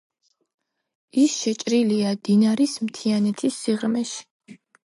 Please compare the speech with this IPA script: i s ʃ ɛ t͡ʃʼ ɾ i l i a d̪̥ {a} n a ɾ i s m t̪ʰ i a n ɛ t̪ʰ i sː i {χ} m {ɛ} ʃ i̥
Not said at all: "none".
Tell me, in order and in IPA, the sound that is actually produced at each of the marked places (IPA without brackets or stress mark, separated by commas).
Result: i, ʁ, ɛ